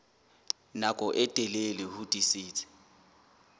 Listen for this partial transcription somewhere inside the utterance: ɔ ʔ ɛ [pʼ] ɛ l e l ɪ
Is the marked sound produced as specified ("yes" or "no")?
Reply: no